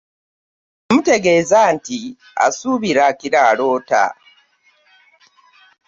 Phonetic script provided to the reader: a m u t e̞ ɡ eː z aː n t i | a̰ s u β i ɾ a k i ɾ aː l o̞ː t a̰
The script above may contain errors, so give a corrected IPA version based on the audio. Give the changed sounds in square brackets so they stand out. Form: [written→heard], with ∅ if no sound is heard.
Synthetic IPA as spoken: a m u t e̞ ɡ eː z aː n t i | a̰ s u β i ɾ a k i ɾ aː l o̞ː t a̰